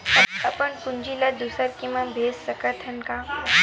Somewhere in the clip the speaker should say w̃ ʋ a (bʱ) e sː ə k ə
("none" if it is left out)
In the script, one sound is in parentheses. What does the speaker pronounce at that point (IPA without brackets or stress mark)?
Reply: bʱ